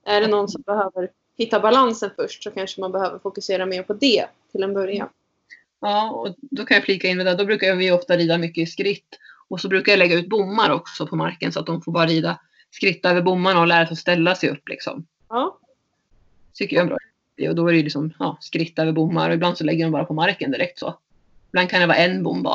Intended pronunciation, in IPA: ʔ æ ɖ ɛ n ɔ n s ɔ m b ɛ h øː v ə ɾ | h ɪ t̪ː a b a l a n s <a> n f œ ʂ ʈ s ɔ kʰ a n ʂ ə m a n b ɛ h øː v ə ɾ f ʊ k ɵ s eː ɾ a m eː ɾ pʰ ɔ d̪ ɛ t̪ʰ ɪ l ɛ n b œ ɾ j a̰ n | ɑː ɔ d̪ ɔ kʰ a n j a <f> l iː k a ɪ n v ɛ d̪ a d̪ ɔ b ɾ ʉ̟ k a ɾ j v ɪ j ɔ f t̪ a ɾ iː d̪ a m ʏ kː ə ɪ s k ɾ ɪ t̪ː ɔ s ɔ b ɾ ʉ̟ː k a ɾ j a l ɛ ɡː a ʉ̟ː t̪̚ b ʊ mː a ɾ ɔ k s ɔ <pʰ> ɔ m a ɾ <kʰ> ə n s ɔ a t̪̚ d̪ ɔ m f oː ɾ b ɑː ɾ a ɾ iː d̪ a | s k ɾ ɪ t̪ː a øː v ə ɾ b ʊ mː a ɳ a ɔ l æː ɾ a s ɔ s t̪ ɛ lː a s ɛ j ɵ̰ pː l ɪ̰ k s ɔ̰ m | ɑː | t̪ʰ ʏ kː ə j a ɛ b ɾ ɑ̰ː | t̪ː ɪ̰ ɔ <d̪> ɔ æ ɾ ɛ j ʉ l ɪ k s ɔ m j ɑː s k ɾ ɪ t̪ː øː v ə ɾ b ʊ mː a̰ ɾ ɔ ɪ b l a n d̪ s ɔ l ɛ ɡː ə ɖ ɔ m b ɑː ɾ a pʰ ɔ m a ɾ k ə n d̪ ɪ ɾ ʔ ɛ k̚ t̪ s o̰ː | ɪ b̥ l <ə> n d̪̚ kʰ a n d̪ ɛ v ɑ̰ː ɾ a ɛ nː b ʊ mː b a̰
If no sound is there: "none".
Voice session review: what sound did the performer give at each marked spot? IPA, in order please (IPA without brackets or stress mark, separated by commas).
ə, f, pʰ, k, d̪, a